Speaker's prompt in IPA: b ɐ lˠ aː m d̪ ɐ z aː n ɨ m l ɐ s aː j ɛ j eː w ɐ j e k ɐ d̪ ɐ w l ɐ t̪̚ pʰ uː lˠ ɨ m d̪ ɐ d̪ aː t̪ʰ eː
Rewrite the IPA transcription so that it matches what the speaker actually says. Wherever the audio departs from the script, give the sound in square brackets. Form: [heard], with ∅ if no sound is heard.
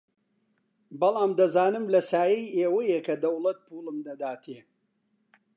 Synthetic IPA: b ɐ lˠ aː m d̪ ɐ z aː n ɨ m l ɐ s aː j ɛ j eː w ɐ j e k ɐ d̪ ɐ w l ɐ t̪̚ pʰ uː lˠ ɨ m d̪ ɐ d̪ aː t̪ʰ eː